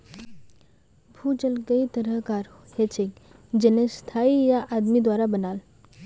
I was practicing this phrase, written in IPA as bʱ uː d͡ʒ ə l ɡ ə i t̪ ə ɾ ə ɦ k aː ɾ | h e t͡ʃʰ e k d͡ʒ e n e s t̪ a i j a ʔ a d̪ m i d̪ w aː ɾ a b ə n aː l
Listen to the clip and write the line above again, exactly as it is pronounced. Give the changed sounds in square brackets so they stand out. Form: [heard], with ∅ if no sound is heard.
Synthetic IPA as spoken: bʱ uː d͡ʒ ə l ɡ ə i t̪ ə ɾ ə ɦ k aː ɾ | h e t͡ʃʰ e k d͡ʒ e n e s [t̪ʰ] a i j a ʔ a d̪ m i d̪ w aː ɾ a b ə n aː l